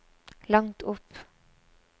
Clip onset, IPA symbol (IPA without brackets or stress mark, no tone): l